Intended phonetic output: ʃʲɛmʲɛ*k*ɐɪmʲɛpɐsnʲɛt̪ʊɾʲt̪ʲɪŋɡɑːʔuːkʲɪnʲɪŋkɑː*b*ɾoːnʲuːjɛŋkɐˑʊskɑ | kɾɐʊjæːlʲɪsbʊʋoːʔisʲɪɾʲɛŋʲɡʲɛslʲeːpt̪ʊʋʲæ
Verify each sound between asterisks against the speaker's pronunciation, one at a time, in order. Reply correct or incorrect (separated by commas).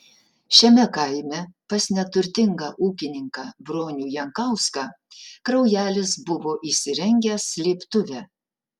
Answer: correct, correct